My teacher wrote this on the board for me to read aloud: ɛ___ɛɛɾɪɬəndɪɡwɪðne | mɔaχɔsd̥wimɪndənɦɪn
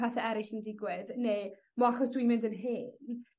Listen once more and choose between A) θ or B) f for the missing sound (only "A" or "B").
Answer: A